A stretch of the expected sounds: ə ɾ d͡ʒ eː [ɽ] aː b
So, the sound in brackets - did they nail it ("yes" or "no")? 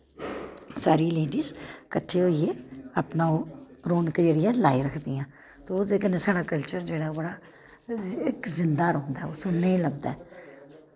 yes